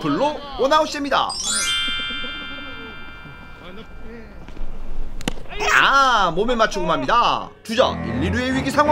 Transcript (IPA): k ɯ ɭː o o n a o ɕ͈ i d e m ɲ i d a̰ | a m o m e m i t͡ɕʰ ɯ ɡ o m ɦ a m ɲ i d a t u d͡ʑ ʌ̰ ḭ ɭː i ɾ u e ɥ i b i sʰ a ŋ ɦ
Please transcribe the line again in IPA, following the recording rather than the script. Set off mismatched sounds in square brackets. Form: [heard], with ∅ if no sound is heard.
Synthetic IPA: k ɯ ɭː o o n a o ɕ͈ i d e m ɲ i d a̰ | a m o m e m [a] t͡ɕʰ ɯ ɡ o m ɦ a m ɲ i d a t u d͡ʑ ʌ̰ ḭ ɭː i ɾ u e ɥ i [ɡ] i sʰ a ŋ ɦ

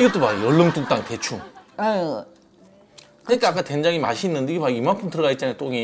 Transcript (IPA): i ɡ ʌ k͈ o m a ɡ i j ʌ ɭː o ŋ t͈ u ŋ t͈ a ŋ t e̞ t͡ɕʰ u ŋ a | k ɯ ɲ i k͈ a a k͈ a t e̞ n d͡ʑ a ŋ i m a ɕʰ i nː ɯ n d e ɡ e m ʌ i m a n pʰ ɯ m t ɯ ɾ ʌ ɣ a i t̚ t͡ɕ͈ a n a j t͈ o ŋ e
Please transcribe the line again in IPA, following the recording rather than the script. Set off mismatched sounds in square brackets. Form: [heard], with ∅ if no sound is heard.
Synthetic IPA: i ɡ ʌ [t͈] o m a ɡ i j ʌ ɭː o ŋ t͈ u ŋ t͈ a ŋ t e̞ t͡ɕʰ u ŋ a | k ɯ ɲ i k͈ a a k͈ a t e̞ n d͡ʑ a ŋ i m a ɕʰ i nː ɯ n d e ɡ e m [a] i m a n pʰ ɯ m t ɯ ɾ ʌ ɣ a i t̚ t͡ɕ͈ a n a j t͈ o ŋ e

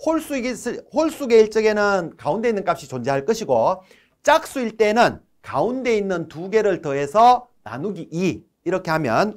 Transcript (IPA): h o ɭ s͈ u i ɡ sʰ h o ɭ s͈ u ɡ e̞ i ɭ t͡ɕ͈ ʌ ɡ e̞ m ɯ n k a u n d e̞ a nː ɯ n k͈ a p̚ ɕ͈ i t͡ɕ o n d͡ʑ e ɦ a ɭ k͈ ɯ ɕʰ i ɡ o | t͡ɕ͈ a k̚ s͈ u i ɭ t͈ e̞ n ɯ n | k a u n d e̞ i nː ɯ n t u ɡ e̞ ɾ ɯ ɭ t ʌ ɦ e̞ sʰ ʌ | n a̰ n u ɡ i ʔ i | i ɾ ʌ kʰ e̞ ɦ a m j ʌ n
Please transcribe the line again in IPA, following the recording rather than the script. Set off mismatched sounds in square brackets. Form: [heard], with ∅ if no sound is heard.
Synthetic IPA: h o ɭ s͈ u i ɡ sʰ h o ɭ s͈ u ɡ e̞ i ɭ t͡ɕ͈ ʌ ɡ e̞ [n] ɯ n k a u n d e̞ [i] nː ɯ n k͈ a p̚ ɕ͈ i t͡ɕ o n d͡ʑ e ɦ a ɭ k͈ ɯ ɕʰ i ɡ o | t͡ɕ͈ a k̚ s͈ u i ɭ t͈ e̞ n ɯ n | k a u n d e̞ i nː ɯ n t u ɡ e̞ ɾ ɯ ɭ t ʌ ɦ e̞ sʰ ʌ | n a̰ n u ɡ i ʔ i | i ɾ ʌ kʰ e̞ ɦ a m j ʌ n

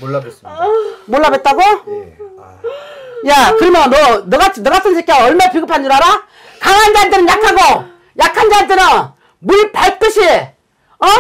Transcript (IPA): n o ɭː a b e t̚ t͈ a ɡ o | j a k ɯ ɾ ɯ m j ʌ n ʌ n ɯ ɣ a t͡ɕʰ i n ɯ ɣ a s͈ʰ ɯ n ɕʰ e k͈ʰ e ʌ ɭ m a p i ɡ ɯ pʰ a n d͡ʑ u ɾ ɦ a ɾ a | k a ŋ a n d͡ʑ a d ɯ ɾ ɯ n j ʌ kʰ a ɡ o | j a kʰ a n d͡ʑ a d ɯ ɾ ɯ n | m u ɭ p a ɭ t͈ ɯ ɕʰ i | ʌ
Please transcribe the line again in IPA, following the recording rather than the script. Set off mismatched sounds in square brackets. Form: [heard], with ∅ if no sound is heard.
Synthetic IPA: [m] o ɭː a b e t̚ t͈ a ɡ o | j a k ɯ ɾ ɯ m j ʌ n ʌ n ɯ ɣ a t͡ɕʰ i n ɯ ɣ a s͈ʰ ɯ n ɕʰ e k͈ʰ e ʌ ɭ m a p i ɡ ɯ pʰ a n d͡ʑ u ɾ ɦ a ɾ a | k a ŋ a n d͡ʑ a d ɯ ɾ ɯ n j [a] kʰ a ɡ o | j a kʰ a n d͡ʑ a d ɯ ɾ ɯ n | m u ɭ p a ɭ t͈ ɯ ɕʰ i | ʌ

